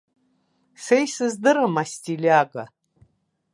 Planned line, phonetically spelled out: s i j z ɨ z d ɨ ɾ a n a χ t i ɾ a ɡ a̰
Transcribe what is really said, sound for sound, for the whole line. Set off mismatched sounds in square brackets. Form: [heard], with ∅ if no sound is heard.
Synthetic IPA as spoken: s [e] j [s] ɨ z d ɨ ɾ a [m] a [s] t i [l] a ɡ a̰